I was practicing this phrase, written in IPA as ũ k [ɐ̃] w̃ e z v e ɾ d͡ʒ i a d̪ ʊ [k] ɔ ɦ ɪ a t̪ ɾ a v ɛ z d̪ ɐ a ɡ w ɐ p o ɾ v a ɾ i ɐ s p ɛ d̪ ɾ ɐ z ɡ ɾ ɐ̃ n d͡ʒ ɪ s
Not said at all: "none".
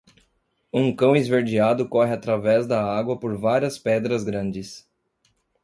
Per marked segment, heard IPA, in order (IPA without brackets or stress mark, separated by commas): ɐ̃, k